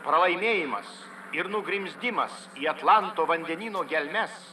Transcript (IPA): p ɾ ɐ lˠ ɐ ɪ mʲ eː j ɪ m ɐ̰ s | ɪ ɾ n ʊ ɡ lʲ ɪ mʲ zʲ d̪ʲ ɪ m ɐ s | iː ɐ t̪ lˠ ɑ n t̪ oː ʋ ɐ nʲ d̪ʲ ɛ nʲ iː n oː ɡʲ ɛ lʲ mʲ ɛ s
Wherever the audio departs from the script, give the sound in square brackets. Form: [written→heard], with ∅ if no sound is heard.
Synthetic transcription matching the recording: p ɾ ɐ lˠ ɐ ɪ mʲ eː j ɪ m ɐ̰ s | ɪ ɾ n ʊ ɡ [lʲ→ɾʲ] ɪ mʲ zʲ d̪ʲ ɪ m ɐ s | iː ɐ t̪ lˠ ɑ n t̪ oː ʋ ɐ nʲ d̪ʲ ɛ nʲ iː n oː ɡʲ ɛ lʲ mʲ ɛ s

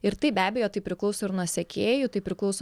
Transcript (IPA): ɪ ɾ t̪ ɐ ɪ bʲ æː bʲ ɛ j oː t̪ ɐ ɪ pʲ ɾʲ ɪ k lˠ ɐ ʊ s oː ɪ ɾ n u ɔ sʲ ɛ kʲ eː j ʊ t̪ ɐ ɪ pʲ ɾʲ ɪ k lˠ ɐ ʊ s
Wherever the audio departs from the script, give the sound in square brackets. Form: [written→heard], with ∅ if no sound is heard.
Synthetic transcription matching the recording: ɪ ɾ t̪ ɐ ɪ bʲ æː bʲ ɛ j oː t̪ ɐ ɪ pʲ ɾʲ ɪ k lˠ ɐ ʊ s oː ɪ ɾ n u ɔ sʲ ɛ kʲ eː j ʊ t̪ ɐ ɪ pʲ ɾʲ ɪ k lˠ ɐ ʊ s

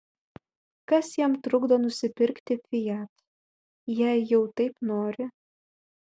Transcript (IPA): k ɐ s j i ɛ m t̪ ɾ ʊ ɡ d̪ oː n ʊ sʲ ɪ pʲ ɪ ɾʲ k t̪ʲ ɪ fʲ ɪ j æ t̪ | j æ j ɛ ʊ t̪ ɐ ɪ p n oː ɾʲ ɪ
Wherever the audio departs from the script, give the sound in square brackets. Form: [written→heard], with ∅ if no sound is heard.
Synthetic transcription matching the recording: k ɐ s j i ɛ m t̪ ɾ ʊ ɡ d̪ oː n ʊ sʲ ɪ pʲ ɪ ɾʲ k t̪ʲ ɪ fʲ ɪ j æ t̪ | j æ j ɛ ʊ t̪ ɐ ɪ p n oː ɾʲ ɪ

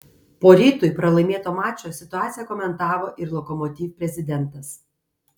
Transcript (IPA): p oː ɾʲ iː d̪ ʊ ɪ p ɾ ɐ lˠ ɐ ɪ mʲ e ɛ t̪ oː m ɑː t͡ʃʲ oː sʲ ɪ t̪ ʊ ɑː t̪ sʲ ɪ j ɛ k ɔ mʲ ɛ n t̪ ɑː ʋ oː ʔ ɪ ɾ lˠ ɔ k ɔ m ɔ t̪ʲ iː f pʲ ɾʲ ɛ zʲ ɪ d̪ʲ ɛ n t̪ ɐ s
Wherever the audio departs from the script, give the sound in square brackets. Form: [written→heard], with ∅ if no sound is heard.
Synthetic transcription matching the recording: p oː ɾʲ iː [d̪→t̪] ʊ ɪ p ɾ ɐ lˠ ɐ ɪ mʲ e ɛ t̪ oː m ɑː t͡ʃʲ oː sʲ ɪ t̪ ʊ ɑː t̪ sʲ ɪ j ɛ k ɔ mʲ ɛ n t̪ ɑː ʋ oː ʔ ɪ ɾ lˠ ɔ k ɔ m ɔ t̪ʲ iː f pʲ ɾʲ ɛ zʲ ɪ d̪ʲ ɛ n t̪ ɐ s

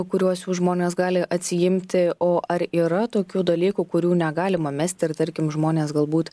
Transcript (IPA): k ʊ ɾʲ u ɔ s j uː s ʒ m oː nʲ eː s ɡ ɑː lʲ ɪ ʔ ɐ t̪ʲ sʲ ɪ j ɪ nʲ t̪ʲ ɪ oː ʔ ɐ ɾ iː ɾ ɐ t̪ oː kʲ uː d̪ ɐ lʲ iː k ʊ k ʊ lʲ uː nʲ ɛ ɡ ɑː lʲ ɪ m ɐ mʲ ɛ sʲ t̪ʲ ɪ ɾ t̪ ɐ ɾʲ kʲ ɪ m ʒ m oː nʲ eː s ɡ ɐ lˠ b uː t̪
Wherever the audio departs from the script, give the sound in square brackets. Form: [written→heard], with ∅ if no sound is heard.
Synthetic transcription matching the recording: k ʊ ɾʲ u ɔ s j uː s ʒ m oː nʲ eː s ɡ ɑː lʲ ɪ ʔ ɐ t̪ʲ sʲ ɪ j ɪ [nʲ→mʲ] t̪ʲ ɪ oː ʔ ɐ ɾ iː ɾ ɐ t̪ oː kʲ uː d̪ ɐ lʲ iː k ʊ k ʊ [lʲ→ɾʲ] uː nʲ ɛ ɡ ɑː lʲ ɪ m ɐ mʲ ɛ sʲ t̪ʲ ɪ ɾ t̪ ɐ ɾʲ kʲ ɪ m ʒ m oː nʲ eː s ɡ ɐ lˠ b uː t̪

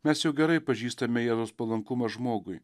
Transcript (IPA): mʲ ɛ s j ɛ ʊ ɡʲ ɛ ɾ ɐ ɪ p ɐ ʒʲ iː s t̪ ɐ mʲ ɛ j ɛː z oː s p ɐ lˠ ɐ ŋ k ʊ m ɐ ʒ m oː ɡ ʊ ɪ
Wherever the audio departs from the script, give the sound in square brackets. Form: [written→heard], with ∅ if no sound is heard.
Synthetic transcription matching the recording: mʲ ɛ s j ɛ ʊ ɡʲ ɛ ɾ ɐ ɪ p ɐ ʒʲ iː s t̪ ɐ mʲ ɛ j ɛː z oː s p ɐ lˠ ɐ ŋ k ʊ m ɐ ʒ m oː ɡ ʊ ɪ

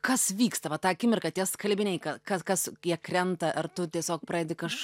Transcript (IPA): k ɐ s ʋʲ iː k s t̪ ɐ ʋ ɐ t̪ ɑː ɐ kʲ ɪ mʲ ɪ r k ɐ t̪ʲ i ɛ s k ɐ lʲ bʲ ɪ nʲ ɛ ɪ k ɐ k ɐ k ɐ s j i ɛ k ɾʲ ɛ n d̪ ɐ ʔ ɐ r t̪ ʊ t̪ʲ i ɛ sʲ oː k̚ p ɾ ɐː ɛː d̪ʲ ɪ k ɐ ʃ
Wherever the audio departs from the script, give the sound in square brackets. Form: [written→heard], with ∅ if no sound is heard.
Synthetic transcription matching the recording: k ɐ s ʋʲ iː k s t̪ ɐ ʋ ɐ t̪ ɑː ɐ kʲ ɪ mʲ ɪ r k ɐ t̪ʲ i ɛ s k ɐ lʲ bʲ ɪ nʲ ɛ ɪ k ɐ k ɐ k ɐ s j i ɛ k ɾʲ ɛ n [d̪→t̪] ɐ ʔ ɐ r t̪ ʊ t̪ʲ i ɛ sʲ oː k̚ p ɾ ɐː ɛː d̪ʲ ɪ k ɐ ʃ

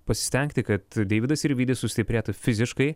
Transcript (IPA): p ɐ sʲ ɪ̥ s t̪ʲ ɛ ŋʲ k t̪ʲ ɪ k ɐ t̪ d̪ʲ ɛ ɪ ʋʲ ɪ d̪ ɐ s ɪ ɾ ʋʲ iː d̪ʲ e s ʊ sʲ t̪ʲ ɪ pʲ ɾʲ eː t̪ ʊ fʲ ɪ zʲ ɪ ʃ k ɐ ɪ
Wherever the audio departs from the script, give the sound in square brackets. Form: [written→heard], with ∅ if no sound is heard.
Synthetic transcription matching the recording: p ɐ sʲ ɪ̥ s t̪ʲ ɛ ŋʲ k t̪ʲ ɪ k ɐ t̪ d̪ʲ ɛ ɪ ʋʲ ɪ d̪ ɐ s ɪ ɾ ʋʲ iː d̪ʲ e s ʊ sʲ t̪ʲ ɪ pʲ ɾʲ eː t̪ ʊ fʲ ɪ zʲ ɪ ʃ k ɐ ɪ

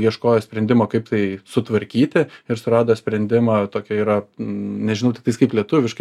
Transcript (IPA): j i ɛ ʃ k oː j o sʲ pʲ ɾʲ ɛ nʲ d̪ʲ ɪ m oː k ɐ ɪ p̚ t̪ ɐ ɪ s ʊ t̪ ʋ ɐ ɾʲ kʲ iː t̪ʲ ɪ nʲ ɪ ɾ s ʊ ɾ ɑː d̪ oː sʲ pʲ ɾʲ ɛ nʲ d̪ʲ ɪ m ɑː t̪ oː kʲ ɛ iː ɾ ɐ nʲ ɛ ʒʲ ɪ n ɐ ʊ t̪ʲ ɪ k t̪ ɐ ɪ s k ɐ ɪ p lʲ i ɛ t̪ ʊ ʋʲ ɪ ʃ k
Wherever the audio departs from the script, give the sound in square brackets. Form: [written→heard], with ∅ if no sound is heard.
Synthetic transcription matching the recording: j i ɛ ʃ k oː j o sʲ pʲ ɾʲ ɛ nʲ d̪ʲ ɪ m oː k ɐ ɪ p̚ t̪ ɐ ɪ s ʊ t̪ ʋ ɐ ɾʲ kʲ iː t̪ʲ ɪ [nʲ→∅] ɪ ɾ s ʊ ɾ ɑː d̪ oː sʲ pʲ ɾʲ ɛ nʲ d̪ʲ ɪ m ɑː t̪ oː kʲ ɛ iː ɾ ɐ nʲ ɛ ʒʲ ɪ n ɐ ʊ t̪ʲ ɪ k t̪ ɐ ɪ s k ɐ ɪ p lʲ i ɛ t̪ ʊ ʋʲ ɪ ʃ k

